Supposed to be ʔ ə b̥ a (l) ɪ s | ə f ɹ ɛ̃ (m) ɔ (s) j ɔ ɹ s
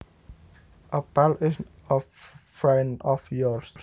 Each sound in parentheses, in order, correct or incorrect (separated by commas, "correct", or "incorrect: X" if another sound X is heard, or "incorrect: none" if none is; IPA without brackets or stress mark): correct, incorrect: n, incorrect: f